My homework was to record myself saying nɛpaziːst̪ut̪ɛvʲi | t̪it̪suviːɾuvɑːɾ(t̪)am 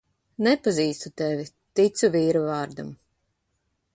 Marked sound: incorrect: d̪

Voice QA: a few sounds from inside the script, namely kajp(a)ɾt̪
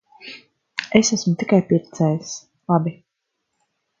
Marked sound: incorrect: i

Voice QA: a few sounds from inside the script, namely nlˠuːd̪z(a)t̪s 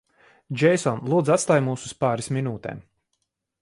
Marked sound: correct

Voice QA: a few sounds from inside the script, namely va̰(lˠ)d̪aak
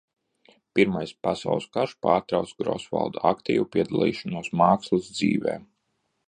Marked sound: correct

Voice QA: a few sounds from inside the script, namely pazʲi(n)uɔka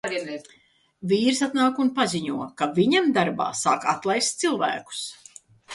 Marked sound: incorrect: ɲ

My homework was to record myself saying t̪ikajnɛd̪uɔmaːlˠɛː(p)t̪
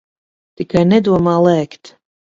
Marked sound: incorrect: k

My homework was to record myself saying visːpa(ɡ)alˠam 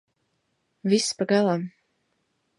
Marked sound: correct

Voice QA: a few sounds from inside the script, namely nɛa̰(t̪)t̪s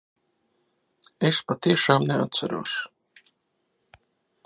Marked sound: correct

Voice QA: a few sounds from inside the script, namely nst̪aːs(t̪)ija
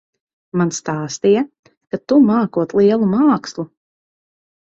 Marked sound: correct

